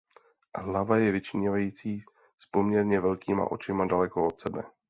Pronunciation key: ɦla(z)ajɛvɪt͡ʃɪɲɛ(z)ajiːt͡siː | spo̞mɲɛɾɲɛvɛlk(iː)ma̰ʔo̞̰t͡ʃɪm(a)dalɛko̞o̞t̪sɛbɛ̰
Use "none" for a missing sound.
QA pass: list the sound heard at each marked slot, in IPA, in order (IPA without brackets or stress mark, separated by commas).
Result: v, v, iː, a